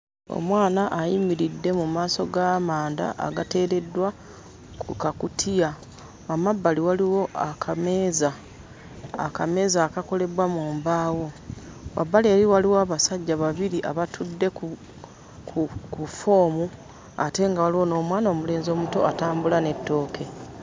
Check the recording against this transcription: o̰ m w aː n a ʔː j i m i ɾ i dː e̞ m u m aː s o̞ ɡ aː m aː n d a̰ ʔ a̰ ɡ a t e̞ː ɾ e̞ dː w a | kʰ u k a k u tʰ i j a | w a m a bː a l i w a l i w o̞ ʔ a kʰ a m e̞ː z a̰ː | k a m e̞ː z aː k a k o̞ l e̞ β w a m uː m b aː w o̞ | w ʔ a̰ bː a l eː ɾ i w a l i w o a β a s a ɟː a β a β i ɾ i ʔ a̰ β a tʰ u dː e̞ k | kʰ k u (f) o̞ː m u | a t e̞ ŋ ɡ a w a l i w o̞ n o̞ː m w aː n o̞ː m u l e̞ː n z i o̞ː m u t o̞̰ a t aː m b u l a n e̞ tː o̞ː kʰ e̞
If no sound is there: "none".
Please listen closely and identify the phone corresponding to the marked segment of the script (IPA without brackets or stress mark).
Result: f